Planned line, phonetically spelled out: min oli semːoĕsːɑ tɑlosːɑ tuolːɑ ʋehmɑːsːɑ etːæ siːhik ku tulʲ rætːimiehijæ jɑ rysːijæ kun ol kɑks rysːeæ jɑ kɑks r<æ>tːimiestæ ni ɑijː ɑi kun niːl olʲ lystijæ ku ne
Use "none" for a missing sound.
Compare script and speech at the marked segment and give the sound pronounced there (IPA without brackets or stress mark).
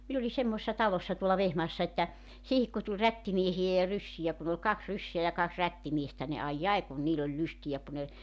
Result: æ